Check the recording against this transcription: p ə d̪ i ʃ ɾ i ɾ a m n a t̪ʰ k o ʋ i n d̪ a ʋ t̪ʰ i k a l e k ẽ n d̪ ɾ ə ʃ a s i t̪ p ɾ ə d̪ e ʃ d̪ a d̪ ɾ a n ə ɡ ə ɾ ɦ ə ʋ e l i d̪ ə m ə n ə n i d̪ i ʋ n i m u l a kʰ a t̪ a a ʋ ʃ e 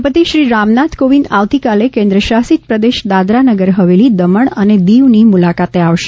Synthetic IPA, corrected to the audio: p ə t̪ i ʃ ɾ i ɾ a m n a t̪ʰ k o ʋ i n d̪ a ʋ t̪ i k a l e k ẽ n d̪ ɾ ə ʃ a s i t̪ p ɾ ə d̪ e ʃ d̪ a d̪ ɾ a n ə ɡ ə ɾ ɦ ə ʋ e l i d̪ ə m ə ɳ ə n e d̪ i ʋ n i m u l a k a t̪ e a ʋ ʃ e